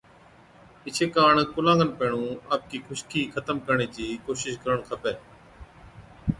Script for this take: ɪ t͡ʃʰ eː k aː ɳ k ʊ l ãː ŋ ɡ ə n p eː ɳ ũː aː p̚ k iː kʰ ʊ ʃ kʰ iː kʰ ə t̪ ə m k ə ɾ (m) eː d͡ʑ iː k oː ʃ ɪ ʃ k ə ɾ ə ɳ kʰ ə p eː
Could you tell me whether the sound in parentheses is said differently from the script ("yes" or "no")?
yes